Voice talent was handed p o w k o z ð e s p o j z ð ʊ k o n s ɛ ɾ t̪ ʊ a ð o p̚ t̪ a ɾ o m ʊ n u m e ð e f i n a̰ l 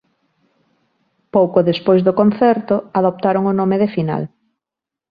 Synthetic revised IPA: p o w k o ð e s p o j z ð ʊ k o n θ ɛ ɾ t̪ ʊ a ð o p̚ t̪ a ɾ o ŋ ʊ n o m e ð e f i n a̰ l